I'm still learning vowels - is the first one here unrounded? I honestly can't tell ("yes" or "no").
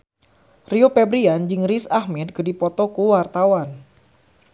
yes